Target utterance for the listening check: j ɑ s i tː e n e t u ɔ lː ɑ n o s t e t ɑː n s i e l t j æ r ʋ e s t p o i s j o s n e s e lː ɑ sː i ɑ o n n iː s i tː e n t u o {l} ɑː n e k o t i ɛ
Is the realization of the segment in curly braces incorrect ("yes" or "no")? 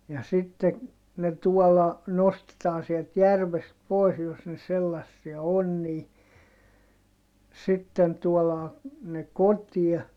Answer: no